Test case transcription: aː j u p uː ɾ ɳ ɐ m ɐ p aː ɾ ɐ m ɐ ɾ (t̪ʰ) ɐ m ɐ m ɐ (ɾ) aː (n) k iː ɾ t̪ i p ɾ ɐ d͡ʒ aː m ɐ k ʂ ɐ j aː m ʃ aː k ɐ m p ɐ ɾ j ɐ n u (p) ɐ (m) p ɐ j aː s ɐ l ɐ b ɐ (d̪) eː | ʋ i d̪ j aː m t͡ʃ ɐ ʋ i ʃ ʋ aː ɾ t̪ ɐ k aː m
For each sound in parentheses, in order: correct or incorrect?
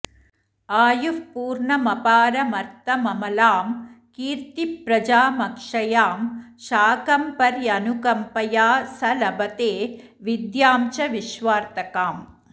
incorrect: t̪, incorrect: l, incorrect: m, incorrect: k, correct, incorrect: t̪

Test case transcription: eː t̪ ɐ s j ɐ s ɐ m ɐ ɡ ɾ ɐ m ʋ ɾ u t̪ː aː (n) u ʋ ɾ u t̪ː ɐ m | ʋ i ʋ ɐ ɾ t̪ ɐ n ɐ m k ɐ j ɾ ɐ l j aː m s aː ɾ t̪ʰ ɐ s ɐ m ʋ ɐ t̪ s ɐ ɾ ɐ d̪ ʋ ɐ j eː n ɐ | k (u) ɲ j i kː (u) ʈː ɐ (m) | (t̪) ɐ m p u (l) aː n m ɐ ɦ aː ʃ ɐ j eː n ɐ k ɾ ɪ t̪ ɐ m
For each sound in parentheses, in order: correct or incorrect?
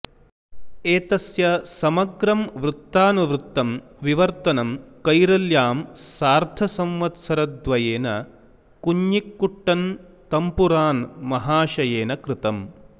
correct, correct, correct, incorrect: n, correct, incorrect: ɾ

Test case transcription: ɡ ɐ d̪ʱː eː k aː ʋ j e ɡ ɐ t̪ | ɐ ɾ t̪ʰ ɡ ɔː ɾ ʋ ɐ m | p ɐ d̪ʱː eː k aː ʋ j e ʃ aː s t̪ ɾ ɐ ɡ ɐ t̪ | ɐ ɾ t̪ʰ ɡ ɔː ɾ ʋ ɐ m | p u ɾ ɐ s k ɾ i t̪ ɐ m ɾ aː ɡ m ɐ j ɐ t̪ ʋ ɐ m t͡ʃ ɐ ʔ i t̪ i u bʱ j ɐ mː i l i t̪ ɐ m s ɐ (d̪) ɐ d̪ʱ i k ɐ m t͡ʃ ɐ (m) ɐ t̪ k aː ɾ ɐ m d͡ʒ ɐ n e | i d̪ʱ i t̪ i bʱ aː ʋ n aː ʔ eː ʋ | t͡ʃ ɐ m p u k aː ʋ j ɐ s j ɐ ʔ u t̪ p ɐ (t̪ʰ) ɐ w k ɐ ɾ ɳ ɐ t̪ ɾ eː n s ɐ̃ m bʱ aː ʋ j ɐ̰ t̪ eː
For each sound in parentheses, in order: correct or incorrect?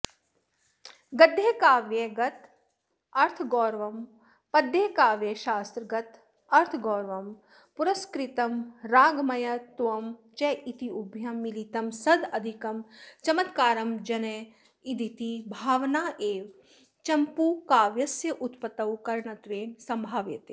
correct, correct, incorrect: t̪

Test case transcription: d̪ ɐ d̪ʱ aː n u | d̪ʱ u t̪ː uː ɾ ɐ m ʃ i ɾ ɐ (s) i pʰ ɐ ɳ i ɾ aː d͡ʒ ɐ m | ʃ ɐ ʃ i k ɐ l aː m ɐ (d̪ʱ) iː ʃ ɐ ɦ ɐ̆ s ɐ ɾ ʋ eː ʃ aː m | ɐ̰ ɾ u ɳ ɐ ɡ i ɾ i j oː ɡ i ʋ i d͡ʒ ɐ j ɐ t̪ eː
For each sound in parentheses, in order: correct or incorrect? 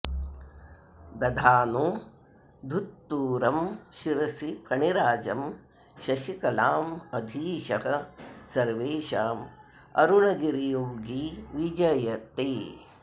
correct, correct

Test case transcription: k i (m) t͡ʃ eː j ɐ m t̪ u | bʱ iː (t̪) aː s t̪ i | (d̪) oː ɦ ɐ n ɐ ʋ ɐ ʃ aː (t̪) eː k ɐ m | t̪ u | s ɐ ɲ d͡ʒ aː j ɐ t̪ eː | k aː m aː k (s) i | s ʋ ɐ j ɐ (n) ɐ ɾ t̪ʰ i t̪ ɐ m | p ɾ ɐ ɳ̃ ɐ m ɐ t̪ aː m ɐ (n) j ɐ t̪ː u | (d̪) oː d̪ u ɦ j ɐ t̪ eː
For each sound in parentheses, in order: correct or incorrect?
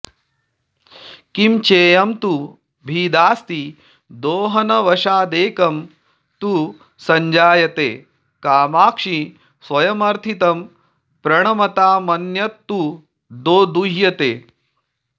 correct, incorrect: d̪, correct, incorrect: d̪, incorrect: ʂ, incorrect: m, correct, correct

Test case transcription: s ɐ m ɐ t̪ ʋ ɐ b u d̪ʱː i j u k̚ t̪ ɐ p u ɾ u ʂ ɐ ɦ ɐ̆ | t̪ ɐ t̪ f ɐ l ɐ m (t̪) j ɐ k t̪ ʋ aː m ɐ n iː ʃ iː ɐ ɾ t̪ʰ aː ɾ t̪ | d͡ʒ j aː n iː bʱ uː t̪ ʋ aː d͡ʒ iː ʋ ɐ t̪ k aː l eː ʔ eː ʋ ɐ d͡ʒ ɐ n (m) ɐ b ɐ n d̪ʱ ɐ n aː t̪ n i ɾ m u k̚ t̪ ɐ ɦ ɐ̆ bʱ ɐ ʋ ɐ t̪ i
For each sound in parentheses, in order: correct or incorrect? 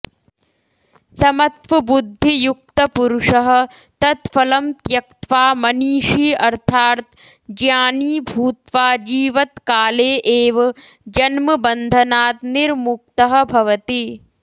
correct, correct

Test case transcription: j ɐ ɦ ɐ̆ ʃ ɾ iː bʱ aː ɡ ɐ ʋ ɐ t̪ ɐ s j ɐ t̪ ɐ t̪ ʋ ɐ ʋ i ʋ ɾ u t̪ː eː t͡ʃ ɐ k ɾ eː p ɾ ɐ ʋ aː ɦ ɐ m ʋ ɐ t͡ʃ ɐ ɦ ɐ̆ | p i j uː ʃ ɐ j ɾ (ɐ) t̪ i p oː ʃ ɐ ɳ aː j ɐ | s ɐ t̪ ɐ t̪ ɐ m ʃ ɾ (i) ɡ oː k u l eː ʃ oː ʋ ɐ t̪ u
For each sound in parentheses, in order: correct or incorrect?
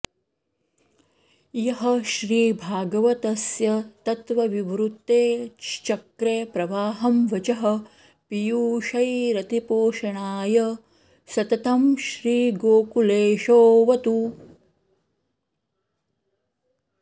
correct, incorrect: iː

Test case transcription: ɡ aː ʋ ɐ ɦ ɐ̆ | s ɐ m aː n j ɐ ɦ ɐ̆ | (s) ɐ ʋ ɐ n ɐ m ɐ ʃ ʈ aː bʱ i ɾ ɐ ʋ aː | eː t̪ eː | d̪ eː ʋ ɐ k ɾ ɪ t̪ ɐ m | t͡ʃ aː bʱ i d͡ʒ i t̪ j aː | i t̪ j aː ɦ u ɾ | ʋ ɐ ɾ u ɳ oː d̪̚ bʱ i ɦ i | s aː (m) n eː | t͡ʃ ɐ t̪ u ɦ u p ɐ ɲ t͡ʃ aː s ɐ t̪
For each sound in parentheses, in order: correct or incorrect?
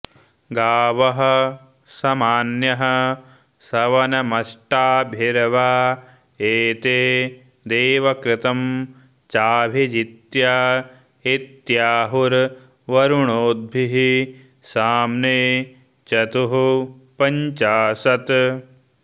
correct, correct

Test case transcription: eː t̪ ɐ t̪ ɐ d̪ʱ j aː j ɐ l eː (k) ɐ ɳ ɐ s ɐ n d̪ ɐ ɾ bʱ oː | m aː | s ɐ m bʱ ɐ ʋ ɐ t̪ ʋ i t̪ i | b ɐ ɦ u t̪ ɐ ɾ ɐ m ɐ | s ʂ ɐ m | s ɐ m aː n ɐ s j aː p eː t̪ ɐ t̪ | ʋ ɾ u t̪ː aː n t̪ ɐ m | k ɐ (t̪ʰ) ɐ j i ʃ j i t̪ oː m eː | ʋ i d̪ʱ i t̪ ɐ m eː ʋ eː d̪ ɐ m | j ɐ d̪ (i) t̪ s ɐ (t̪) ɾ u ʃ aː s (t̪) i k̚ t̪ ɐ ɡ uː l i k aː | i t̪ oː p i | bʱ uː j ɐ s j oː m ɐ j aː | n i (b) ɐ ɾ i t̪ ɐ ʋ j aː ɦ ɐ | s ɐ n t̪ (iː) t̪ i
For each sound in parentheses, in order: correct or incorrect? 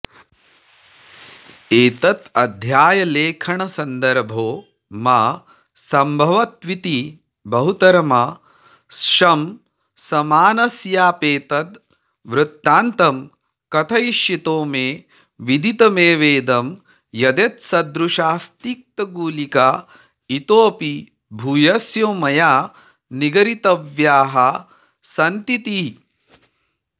incorrect: kʰ, correct, incorrect: e, incorrect: d̪, correct, incorrect: ɡ, incorrect: i

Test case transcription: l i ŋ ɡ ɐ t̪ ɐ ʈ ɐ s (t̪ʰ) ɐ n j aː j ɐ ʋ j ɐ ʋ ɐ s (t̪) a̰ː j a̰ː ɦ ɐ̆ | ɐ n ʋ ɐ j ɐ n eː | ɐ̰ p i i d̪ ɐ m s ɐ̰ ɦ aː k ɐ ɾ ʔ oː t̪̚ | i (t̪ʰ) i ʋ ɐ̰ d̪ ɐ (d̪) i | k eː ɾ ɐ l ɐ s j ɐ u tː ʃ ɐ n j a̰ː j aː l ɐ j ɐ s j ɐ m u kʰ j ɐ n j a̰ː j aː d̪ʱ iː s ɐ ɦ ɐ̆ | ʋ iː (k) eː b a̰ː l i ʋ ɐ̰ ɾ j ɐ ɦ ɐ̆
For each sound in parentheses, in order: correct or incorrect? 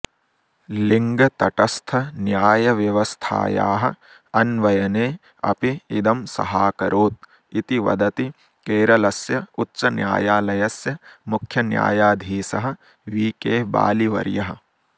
correct, incorrect: t̪ʰ, incorrect: t̪, incorrect: t̪, correct

